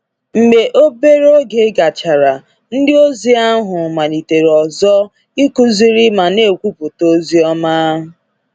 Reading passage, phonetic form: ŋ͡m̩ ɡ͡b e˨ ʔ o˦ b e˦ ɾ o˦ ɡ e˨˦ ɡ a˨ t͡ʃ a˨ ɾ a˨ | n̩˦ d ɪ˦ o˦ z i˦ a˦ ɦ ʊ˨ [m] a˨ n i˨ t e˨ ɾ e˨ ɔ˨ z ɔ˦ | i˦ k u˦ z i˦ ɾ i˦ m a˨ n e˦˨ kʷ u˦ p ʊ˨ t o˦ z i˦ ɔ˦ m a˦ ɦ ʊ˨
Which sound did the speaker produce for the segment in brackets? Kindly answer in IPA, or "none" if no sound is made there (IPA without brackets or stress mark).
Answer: m